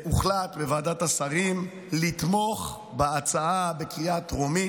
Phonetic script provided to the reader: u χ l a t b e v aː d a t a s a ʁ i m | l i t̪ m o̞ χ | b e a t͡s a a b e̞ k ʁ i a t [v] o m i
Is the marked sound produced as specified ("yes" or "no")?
no